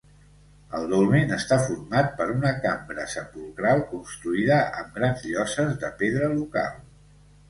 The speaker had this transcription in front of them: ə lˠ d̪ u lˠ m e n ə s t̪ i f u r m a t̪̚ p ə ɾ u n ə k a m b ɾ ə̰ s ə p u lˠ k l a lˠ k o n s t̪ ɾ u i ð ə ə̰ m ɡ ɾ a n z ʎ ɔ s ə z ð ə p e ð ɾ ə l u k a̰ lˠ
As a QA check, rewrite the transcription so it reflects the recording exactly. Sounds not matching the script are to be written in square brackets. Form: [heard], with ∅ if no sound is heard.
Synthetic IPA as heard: ə lˠ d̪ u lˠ m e n ə s t̪ [a] f u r m a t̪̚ p ə ɾ u n ə k a m b ɾ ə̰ s ə p u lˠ k [ɾ] a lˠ k [u] n s t̪ ɾ u i ð ə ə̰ m ɡ ɾ a n z ʎ ɔ s ə z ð ə p e ð ɾ ə l u k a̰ lˠ

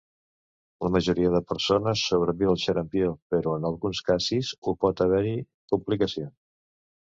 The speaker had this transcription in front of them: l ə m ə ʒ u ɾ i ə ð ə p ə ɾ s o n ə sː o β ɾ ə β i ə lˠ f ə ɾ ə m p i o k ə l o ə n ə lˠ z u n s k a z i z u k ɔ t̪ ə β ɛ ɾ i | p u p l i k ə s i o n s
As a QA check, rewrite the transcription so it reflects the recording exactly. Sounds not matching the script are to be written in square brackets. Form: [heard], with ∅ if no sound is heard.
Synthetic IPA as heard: l ə m ə ʒ u ɾ i ə ð ə p ə ɾ s o n ə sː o β ɾ ə β i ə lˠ [ʃ] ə ɾ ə m p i o [p] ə [ɾ] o ə n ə lˠ [ɣ] u n s k a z i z u [p] ɔ t̪ ə β ɛ ɾ i | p u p l i k ə s i o n s

